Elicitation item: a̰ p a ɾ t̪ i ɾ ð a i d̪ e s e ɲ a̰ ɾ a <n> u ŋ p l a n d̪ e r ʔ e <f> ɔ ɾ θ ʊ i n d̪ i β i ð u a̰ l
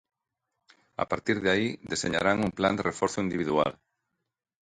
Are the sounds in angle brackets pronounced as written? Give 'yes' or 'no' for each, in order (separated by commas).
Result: no, yes